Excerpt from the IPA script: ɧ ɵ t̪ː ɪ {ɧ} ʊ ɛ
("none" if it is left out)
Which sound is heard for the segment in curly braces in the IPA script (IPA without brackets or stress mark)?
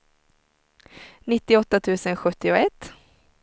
none